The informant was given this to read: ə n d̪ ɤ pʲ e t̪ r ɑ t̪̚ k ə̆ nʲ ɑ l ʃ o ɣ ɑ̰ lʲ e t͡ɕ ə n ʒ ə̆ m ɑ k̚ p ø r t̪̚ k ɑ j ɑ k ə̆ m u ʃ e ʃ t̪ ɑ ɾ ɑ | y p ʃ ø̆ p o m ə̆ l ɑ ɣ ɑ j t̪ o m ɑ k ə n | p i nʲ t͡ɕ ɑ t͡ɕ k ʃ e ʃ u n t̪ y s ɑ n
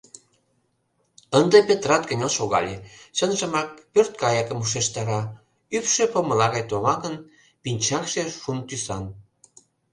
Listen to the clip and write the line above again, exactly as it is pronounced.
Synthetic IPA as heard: ə n d̪ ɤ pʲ e t̪ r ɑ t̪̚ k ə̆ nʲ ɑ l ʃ o ɣ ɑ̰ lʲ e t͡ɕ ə n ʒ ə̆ m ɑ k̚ p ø r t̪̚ k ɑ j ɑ k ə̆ m u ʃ e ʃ t̪ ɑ ɾ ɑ | y p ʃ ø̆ p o m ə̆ l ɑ ɣ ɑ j t̪ o m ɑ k ə n | p i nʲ t͡ɕ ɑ k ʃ e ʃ u n t̪ y s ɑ n